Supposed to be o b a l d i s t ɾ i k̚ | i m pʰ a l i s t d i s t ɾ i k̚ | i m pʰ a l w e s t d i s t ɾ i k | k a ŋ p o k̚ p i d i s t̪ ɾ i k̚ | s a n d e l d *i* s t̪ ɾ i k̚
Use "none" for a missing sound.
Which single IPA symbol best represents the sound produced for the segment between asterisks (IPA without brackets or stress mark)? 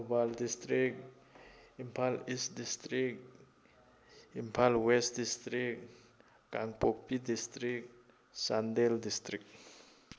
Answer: i